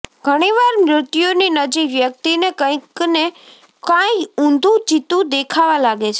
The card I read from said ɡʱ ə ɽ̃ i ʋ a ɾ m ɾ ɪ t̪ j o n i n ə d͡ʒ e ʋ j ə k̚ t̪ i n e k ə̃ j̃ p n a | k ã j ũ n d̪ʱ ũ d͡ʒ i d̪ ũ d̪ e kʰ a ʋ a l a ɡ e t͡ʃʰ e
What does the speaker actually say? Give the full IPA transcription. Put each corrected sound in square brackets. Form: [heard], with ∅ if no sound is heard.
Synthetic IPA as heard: ɡʱ ə ɽ̃ i ʋ a ɾ m ɾ ɪ t̪ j o n i n ə d͡ʒ [i] ʋ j ə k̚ t̪ i n e k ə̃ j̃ [k] n [e] | k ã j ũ n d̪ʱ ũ d͡ʒ i [t̪] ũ d̪ e kʰ a ʋ a l a ɡ e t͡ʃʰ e

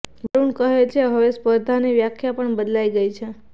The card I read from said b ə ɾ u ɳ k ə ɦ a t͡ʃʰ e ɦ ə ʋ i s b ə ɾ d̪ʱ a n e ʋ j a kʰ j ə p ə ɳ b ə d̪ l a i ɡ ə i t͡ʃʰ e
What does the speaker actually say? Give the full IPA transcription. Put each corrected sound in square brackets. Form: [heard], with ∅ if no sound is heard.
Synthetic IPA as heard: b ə ɾ u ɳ k ə ɦ [e] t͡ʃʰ e ɦ ə ʋ [e] s [p] ə ɾ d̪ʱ a n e ʋ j a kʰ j [a] p ə ɳ b ə d̪ l a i ɡ ə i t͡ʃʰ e

